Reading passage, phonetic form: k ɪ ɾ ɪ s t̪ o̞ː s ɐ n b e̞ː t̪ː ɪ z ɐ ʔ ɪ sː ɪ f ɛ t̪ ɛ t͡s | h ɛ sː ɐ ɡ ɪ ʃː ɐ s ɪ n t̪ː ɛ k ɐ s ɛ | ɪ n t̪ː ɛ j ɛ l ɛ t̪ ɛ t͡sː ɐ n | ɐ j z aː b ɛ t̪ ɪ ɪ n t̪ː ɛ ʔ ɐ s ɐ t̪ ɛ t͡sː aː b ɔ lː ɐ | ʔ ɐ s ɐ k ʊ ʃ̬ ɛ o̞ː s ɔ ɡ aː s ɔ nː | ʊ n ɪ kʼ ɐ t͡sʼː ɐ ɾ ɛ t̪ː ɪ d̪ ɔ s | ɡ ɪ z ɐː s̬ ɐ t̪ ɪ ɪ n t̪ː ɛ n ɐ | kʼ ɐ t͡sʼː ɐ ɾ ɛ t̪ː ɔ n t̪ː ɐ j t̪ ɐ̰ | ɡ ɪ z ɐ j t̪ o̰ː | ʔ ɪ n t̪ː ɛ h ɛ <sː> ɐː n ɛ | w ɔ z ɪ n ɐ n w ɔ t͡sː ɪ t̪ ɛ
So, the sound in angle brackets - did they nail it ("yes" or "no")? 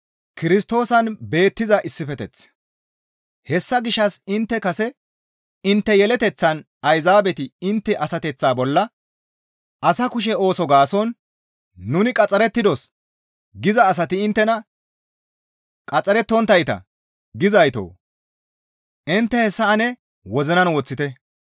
yes